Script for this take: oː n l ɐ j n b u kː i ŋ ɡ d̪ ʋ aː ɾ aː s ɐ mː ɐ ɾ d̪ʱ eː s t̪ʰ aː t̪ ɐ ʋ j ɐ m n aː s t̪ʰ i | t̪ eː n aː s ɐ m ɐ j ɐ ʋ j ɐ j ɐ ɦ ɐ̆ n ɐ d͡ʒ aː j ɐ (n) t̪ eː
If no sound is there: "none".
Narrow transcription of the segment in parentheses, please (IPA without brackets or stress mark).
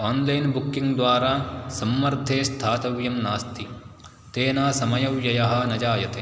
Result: none